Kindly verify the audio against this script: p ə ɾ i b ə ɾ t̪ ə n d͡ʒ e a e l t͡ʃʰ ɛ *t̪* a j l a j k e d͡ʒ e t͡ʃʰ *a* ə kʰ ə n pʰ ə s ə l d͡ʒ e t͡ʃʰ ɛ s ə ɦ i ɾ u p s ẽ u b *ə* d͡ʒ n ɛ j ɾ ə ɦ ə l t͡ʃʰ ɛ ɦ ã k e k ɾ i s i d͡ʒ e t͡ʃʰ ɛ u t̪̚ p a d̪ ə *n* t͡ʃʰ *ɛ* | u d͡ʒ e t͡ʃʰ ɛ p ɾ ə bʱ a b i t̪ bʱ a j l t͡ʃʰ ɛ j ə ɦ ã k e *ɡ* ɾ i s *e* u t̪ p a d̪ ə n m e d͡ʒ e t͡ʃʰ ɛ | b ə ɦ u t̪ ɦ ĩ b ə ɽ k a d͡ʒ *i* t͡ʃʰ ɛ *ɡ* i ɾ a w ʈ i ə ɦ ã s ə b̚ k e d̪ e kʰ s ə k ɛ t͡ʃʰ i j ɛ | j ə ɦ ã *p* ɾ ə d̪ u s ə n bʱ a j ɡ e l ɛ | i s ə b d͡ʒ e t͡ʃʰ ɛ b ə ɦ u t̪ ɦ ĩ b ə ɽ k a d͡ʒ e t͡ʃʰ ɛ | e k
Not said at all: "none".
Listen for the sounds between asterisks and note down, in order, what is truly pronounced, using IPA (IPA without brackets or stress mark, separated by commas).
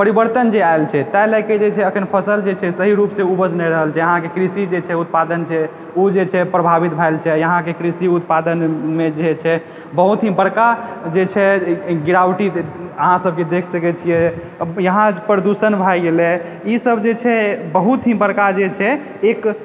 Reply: t̪, ɛ, ə, n, ɛ, k, i, e, ɡ, p